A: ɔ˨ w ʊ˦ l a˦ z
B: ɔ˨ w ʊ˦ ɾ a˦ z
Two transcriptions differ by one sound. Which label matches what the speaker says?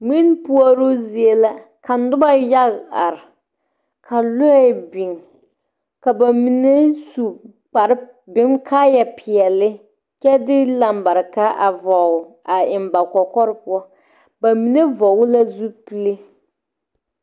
A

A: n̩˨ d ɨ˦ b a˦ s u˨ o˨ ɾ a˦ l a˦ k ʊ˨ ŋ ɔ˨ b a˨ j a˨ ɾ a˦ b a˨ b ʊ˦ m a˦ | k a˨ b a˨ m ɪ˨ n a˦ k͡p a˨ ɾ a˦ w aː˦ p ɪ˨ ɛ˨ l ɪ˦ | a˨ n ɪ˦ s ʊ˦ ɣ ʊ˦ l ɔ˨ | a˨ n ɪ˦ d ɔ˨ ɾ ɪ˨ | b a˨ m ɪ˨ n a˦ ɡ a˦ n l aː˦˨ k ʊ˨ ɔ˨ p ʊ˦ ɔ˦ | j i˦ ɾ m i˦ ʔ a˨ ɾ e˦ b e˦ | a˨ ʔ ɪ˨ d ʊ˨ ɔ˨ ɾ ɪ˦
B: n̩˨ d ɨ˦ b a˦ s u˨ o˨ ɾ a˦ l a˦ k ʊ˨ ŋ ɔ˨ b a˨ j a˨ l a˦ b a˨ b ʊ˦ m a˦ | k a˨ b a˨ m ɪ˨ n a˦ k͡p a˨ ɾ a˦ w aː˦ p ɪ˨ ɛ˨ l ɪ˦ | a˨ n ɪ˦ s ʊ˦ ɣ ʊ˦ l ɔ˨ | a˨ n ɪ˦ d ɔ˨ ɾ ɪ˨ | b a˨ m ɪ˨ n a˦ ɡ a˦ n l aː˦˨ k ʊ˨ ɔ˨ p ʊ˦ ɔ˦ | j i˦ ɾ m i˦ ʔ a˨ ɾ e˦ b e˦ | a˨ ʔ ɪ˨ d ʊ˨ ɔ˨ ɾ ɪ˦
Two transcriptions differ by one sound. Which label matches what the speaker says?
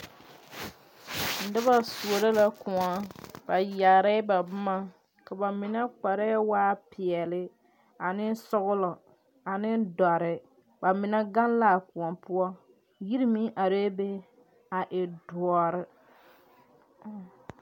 A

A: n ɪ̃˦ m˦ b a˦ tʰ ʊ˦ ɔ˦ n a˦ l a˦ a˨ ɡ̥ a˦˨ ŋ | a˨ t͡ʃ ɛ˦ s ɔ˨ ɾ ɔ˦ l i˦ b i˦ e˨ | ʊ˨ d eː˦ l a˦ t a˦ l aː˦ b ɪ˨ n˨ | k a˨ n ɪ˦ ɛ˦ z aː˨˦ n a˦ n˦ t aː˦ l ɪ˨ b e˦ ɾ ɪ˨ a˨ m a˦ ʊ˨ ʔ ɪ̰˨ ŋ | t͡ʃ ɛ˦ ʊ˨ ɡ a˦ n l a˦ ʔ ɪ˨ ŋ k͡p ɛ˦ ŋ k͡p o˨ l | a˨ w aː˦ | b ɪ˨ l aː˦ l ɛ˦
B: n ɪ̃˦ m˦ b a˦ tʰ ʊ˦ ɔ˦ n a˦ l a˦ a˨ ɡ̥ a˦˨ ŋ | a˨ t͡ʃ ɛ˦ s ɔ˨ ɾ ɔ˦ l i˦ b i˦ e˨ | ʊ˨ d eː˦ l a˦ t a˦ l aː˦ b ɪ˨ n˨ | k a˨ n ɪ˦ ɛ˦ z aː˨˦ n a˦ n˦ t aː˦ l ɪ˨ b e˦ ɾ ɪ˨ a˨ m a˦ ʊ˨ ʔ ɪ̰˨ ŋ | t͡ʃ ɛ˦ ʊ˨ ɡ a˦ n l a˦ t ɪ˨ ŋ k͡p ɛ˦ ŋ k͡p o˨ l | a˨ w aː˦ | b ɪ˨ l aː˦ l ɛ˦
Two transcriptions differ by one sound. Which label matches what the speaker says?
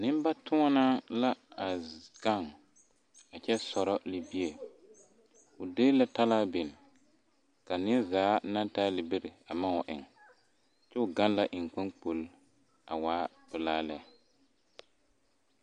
A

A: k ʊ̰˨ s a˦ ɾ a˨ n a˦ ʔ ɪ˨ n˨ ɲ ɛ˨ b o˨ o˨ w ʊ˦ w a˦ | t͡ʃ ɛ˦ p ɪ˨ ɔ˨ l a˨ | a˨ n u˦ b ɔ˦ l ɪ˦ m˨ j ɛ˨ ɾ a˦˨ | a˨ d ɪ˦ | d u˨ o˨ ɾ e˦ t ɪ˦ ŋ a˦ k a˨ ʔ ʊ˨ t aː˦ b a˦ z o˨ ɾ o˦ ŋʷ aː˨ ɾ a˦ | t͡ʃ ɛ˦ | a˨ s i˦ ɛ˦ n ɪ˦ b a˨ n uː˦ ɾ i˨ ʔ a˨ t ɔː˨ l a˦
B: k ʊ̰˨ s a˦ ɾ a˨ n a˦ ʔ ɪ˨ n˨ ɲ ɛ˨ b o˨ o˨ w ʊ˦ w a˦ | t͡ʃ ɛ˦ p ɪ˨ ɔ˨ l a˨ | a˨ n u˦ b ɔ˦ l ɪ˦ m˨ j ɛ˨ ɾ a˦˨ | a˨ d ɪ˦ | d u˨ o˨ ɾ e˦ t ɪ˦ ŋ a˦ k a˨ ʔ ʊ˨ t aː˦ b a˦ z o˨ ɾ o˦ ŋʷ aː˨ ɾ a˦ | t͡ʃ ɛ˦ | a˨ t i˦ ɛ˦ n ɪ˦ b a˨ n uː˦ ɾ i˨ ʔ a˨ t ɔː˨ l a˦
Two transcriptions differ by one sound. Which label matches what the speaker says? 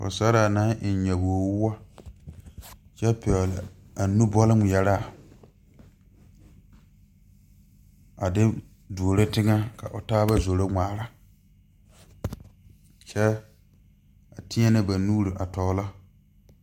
B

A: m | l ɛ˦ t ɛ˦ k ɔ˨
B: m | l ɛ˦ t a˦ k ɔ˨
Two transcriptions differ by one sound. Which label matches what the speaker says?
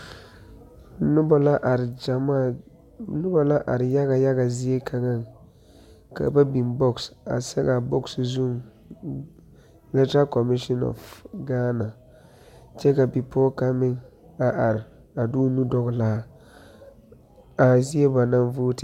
B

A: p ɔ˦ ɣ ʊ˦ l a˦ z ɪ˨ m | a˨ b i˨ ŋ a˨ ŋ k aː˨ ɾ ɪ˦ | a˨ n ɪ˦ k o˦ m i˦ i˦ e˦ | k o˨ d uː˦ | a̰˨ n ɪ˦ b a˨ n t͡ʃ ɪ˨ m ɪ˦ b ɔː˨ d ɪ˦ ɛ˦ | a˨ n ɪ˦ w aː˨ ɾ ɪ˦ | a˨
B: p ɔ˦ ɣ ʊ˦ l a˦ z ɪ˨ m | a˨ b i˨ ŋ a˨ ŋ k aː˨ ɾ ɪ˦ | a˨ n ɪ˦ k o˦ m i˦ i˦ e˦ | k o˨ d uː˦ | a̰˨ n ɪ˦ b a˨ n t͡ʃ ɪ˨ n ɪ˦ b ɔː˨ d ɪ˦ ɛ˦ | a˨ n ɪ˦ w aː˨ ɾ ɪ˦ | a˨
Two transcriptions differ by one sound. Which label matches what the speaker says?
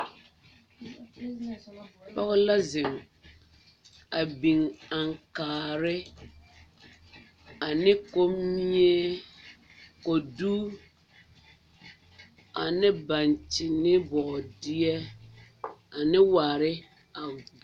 B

